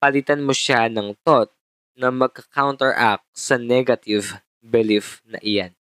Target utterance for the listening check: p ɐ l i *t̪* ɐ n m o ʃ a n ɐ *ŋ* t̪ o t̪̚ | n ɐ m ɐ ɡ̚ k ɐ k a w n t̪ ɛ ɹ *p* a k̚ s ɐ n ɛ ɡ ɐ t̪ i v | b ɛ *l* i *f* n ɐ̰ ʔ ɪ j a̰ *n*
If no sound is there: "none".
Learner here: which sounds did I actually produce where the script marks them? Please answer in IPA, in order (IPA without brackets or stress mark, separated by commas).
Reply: t̪, ŋ, ʔ, l, f, n